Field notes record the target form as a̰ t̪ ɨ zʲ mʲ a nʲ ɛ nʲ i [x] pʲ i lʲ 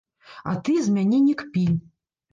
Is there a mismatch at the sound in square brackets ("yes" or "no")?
yes